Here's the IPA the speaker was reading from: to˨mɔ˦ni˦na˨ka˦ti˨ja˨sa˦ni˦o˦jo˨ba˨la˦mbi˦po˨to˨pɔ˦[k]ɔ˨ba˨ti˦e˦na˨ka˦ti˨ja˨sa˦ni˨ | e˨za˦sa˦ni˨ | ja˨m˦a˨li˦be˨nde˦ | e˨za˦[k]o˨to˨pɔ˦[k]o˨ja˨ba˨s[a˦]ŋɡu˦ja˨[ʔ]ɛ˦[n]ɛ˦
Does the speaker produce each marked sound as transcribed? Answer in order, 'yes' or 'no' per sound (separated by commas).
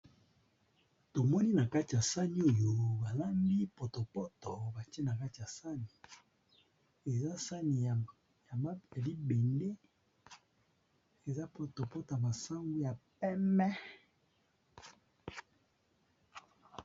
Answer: no, no, no, yes, no, no